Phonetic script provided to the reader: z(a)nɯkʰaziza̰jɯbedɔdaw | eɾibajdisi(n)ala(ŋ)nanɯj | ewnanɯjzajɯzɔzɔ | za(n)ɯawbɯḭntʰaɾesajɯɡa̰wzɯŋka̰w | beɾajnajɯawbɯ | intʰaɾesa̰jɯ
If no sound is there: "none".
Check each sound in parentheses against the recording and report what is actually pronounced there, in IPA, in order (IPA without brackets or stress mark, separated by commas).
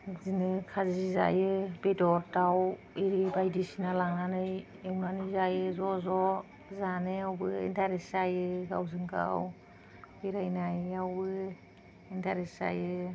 i, n, ŋ, n